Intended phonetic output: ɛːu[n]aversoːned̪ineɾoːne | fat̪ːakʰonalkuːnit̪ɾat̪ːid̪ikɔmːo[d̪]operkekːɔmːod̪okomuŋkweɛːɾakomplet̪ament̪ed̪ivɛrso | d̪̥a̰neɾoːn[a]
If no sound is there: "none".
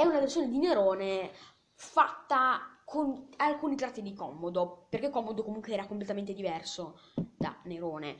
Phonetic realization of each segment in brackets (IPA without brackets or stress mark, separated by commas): n, d̪, e